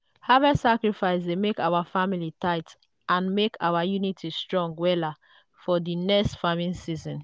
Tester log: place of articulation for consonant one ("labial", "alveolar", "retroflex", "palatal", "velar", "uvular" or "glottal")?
glottal